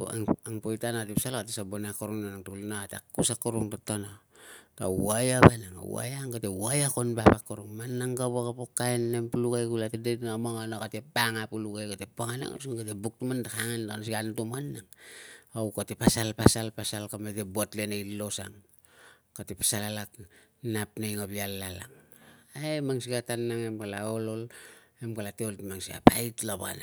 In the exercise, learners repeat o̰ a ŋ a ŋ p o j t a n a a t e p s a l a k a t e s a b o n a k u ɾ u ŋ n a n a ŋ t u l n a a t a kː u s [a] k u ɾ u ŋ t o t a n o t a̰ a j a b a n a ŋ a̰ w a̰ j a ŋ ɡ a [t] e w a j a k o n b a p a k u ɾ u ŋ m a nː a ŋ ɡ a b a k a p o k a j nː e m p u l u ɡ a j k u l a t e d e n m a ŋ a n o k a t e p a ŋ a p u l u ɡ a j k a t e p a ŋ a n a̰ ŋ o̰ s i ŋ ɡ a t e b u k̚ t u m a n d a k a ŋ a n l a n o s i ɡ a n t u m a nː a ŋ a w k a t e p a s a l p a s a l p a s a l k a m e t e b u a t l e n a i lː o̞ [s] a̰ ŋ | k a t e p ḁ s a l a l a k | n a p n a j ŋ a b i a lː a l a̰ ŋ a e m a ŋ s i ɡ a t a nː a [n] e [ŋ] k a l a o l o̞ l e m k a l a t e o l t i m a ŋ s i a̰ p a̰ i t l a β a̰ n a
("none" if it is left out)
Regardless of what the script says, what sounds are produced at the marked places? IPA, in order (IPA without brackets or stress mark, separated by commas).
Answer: a, t, s, ŋ, m